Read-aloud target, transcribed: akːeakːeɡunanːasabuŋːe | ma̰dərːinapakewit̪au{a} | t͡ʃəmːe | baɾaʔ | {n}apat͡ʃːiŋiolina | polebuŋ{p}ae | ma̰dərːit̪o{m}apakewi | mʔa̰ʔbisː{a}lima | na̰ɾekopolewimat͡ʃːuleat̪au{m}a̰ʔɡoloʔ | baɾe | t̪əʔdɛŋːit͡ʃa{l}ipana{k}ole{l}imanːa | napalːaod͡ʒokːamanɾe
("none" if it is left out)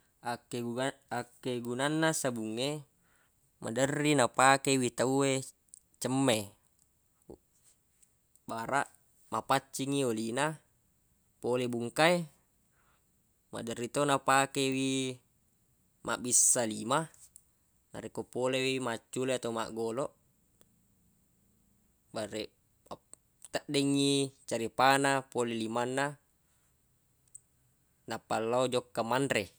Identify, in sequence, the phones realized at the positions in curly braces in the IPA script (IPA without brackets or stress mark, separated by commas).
e, m, k, n, a, m, ɾ, p, l